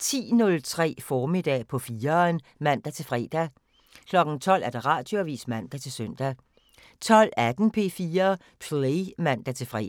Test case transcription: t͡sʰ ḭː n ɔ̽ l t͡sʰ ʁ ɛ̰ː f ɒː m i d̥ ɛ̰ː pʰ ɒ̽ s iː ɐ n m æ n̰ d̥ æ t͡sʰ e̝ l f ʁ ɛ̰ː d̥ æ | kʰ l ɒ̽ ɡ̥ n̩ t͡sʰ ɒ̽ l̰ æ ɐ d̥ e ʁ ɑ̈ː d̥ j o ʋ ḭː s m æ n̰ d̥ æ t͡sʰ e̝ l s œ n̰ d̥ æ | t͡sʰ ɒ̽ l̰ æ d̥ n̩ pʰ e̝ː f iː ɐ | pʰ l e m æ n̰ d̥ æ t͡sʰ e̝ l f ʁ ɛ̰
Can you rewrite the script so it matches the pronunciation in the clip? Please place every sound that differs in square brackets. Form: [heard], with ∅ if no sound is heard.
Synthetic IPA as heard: t͡sʰ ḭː n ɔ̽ l t͡sʰ ʁ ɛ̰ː f ɒː m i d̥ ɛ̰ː pʰ ɒ̽ [f] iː ɐ n m æ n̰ d̥ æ t͡sʰ e̝ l f ʁ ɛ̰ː d̥ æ | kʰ l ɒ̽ ɡ̥ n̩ t͡sʰ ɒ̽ l̰ æ ɐ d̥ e ʁ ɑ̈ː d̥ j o ʋ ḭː s m æ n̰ d̥ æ t͡sʰ e̝ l s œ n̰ d̥ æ | t͡sʰ ɒ̽ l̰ æ d̥ n̩ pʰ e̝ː f iː ɐ | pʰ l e m æ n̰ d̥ æ t͡sʰ e̝ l f ʁ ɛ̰